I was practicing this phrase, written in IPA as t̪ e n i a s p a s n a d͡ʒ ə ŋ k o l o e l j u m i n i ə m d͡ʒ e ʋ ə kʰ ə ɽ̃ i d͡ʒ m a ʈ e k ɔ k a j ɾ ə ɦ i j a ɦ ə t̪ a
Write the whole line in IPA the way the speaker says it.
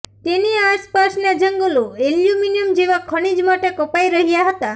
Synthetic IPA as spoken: t̪ e n i a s p a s n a d͡ʒ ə ŋ ɡ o l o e l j u m i n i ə m d͡ʒ e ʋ a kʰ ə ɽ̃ i d͡ʒ m a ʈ e k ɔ p a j ɾ ə ɦ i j a ɦ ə t̪ a